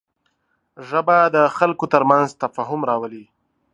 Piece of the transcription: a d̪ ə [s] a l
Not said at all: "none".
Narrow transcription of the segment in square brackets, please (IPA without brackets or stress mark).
x